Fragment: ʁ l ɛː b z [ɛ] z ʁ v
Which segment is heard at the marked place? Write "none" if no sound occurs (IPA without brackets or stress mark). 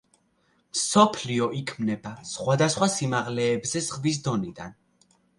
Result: ɛ